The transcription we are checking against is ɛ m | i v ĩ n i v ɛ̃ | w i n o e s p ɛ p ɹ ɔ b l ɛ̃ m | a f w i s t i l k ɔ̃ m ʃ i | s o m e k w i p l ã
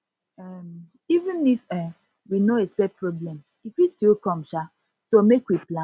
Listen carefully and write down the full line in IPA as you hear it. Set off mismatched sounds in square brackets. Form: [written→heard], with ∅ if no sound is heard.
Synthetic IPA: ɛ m | i v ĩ n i [v→f] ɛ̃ | w i n o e s p ɛ p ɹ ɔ b l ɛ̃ m | [a→i] f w i s t i l k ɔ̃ m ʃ [i→a] | s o m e k w i p l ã